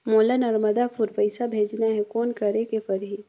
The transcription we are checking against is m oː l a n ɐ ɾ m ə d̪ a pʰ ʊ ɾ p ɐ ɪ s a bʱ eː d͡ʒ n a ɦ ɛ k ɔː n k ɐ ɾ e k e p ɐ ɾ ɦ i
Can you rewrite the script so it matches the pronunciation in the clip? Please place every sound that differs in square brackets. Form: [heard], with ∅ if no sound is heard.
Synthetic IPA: m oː l a n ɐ ɾ m ə d̪ a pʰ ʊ ɾ p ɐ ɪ s a bʱ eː d͡ʒ n a ɦ ɛ k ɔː n k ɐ ɾ e k e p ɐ ɾ ɦ i

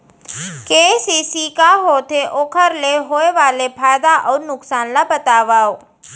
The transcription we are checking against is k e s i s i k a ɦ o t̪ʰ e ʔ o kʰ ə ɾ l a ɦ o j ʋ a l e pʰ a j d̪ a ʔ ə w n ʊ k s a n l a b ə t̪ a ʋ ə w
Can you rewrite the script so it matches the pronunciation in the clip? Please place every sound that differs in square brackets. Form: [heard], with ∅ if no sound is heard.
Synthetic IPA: k e s i s i k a ɦ o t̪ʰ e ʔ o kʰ ə ɾ l [e] ɦ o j ʋ a l e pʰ a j d̪ a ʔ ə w n ʊ k s a n l a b ə t̪ a ʋ [a] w

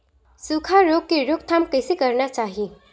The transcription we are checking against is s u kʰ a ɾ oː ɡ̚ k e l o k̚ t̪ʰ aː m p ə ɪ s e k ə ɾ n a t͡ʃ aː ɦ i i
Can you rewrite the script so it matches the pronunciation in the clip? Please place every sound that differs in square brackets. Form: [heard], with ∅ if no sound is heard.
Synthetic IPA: s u kʰ a ɾ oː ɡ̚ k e [ɾ] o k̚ t̪ʰ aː m [k] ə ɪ s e k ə ɾ n a t͡ʃ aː ɦ i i

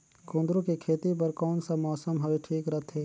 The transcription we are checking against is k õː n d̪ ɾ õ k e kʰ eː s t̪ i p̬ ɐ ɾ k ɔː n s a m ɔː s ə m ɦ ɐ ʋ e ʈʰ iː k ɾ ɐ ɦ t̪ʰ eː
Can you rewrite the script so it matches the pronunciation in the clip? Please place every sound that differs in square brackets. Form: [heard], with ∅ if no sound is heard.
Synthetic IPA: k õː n d̪ ɾ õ k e kʰ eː [∅] t̪ i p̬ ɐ ɾ k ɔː n s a m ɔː s ə m ɦ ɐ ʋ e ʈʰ iː k ɾ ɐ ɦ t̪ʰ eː

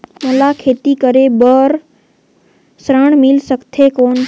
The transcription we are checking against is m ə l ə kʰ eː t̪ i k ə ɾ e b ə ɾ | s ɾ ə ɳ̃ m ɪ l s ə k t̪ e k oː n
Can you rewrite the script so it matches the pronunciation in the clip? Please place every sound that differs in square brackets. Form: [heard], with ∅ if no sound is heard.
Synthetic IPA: m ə l [a] kʰ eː t̪ i k ə ɾ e b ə ɾ | s ɾ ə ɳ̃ m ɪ l s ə k [t̪ʰ] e k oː n

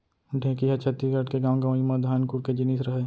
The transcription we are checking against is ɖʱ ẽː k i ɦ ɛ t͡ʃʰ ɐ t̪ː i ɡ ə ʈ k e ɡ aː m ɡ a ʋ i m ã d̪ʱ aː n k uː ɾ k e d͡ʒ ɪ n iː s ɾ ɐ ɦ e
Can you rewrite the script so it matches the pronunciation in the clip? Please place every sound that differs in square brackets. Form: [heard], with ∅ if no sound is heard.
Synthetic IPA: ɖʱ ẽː k i ɦ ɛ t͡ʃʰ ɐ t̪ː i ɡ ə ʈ k e ɡ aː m ɡ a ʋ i m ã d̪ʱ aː n k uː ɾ k e d͡ʒ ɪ n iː s ɾ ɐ ɦ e

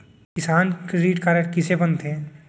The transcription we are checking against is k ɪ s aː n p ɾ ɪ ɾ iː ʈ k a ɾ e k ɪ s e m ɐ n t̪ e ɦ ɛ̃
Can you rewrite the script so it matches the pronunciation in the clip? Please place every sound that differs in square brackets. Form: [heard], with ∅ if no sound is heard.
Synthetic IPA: k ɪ s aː n [k] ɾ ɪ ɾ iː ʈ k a ɾ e k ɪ s e [b] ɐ n t̪ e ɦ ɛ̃

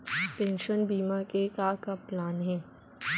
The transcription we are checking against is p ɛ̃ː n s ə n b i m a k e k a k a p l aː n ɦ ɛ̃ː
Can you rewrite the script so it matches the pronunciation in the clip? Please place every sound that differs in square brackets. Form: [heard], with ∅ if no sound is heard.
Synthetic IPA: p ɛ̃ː n [ʃ] ə n b [iː] m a k e k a k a p l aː n ɦ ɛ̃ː

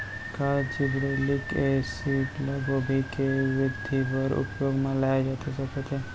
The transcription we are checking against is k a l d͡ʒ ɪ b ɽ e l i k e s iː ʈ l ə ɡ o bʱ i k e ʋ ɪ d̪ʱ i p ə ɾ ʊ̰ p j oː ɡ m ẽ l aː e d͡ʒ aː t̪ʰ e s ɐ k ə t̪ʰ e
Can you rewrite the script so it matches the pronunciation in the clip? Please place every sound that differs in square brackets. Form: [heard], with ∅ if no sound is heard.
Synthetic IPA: k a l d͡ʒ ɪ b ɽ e l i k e s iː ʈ l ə ɡ o bʱ i k e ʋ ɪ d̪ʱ i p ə ɾ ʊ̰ p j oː ɡ m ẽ l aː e d͡ʒ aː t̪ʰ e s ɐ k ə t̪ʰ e

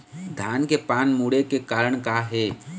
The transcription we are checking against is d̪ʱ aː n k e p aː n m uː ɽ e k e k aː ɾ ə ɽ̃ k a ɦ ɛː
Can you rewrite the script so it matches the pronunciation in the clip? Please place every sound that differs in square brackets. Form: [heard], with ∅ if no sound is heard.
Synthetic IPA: d̪ʱ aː n k e p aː n m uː ɽ e k e k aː ɾ ə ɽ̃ k a ɦ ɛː

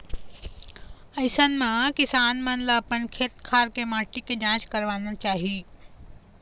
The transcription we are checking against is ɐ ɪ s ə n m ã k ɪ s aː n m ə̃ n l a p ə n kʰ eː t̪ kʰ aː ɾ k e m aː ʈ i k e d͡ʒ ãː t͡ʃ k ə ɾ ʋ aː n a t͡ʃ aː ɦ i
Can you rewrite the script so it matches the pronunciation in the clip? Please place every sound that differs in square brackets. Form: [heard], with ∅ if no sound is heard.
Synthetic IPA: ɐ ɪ s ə n m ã k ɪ s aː n m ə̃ n l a p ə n kʰ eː t̪ kʰ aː ɾ k e m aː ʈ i k e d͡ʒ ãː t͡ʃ k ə ɾ ʋ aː n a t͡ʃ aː ɦ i

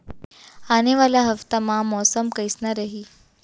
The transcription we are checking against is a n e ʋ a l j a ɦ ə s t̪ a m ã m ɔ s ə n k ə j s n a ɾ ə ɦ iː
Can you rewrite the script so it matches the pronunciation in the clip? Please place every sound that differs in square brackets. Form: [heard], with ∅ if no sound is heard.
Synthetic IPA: a n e ʋ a l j a ɦ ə [f] t̪ a m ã m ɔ s ə [m] k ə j s n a ɾ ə ɦ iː

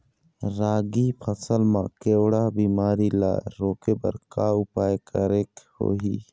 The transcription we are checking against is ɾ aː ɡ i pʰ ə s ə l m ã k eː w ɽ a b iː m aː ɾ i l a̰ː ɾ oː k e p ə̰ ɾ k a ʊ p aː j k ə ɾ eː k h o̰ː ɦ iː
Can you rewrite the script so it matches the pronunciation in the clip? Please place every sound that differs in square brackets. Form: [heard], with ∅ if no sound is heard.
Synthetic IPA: ɾ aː ɡ i pʰ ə s ə l m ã k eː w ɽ a b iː m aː ɾ i l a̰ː ɾ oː k e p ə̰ ɾ k a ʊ p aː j k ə ɾ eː k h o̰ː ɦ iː

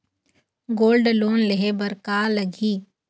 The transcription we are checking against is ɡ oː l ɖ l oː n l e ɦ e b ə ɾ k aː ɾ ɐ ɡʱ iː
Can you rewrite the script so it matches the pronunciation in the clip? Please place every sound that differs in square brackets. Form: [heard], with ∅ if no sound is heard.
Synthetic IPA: ɡ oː l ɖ l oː n l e ɦ e b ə ɾ k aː [l] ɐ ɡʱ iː

